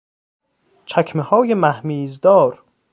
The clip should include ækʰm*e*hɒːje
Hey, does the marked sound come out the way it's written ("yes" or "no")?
yes